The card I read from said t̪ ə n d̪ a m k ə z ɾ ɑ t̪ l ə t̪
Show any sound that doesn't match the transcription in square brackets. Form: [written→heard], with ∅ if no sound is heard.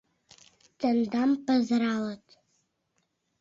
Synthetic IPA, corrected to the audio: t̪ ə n d̪ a m [k→p] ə z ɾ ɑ [t̪→∅] l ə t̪